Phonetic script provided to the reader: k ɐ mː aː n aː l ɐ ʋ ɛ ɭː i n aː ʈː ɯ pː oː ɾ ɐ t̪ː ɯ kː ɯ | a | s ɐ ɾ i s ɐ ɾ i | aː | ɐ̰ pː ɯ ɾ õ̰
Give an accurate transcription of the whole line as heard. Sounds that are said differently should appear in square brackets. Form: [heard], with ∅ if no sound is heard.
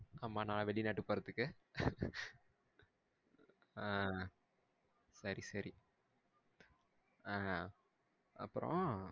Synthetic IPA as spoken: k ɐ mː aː n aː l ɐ ʋ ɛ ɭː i n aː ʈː ɯ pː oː ɾ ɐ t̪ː ɯ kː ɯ | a | s ɐ ɾ i s ɐ ɾ i | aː | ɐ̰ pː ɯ ɾ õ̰